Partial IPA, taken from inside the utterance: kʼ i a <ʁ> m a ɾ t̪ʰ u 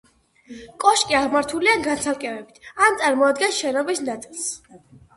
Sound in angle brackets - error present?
no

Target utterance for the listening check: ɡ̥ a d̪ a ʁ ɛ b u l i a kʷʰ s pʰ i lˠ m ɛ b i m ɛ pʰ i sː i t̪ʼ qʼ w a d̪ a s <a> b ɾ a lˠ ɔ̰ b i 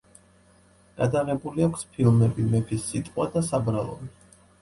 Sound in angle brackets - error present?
no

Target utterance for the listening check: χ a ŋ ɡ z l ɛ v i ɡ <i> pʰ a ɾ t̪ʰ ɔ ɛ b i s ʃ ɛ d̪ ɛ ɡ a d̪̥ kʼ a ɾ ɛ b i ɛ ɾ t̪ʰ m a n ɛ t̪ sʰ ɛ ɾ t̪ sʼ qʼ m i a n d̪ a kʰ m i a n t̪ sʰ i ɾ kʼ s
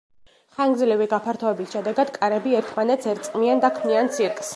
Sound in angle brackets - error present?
yes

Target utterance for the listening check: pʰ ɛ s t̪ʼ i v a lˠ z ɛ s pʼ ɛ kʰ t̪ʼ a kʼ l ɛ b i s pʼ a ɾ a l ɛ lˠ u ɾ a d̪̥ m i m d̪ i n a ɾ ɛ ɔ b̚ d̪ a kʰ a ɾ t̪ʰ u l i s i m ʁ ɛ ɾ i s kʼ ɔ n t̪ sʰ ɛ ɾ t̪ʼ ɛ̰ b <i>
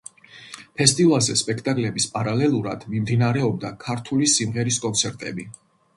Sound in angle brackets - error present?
no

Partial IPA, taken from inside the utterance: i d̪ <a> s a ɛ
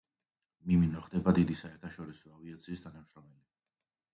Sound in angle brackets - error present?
yes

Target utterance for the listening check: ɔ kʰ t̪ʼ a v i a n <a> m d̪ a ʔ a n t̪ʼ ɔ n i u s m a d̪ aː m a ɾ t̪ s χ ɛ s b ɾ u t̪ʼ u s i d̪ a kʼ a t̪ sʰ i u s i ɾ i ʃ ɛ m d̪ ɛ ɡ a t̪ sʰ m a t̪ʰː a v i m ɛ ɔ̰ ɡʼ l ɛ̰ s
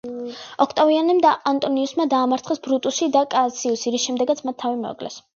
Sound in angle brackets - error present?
yes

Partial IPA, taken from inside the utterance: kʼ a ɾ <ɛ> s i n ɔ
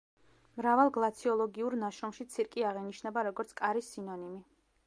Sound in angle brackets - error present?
yes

